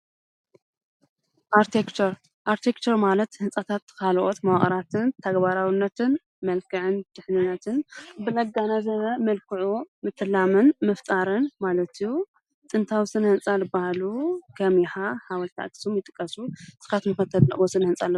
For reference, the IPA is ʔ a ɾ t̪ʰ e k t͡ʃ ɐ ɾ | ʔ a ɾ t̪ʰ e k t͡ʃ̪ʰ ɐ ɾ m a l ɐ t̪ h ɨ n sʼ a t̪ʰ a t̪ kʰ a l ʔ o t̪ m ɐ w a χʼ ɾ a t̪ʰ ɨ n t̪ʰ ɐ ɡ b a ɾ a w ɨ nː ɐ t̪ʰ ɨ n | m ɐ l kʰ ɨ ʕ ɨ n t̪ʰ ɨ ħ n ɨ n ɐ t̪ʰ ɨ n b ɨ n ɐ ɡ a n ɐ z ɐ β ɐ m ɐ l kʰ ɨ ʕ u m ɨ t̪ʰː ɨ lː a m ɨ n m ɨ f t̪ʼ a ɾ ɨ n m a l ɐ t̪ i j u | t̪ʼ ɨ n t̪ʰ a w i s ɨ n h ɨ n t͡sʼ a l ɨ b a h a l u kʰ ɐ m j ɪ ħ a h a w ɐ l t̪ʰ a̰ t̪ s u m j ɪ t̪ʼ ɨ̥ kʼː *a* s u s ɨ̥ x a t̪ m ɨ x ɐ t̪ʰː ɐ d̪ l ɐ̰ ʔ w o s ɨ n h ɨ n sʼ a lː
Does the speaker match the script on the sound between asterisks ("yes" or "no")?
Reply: no